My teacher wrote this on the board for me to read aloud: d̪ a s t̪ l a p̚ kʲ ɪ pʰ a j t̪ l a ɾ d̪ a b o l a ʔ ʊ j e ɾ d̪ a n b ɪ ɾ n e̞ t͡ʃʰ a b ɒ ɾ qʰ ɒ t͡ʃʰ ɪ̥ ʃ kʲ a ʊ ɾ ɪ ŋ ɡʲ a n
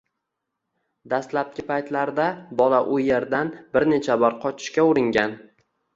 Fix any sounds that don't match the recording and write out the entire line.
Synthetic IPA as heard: d̪ a s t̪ l a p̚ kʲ ɪ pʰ a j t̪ l a ɾ d̪ a b ɒ l a ʔ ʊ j e ɾ d̪ a n b ɪ ɾ n e̞ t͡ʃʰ a b ɒ ɾ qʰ ɒ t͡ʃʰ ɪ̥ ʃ kʲ a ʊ ɾ ɪ ŋ ɡʲ a n